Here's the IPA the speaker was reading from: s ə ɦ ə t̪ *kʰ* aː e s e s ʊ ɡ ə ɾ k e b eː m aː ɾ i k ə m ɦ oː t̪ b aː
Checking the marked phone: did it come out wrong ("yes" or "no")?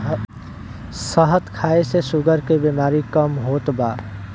no